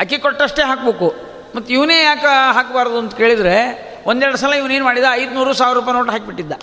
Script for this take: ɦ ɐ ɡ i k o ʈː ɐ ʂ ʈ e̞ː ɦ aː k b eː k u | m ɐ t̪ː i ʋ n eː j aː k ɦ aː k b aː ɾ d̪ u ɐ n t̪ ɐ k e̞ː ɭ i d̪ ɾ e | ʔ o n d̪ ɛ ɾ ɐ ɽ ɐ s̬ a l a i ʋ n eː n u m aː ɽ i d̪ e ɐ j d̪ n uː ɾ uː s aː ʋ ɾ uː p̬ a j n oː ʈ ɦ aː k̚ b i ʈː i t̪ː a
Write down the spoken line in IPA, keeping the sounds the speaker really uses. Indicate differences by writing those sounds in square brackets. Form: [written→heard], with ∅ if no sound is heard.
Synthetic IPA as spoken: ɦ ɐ [ɡ→k] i k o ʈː ɐ ʂ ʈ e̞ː ɦ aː k b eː k u | m ɐ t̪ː i ʋ n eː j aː k ɦ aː k b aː ɾ d̪ u ɐ n t̪ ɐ k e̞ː ɭ i d̪ ɾ e | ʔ o n d̪ ɛ ɾ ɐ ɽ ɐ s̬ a l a i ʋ n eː n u m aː ɽ i d̪ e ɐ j d̪ n uː ɾ uː s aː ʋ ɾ uː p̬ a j n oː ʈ ɦ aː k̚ b i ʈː i [t̪ː→d̪ː] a